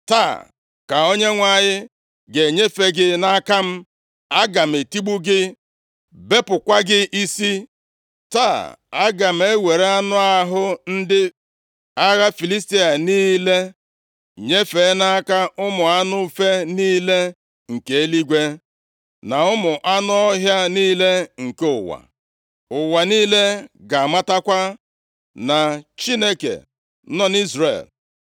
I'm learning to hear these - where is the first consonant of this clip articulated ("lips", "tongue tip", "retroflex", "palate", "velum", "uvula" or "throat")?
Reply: tongue tip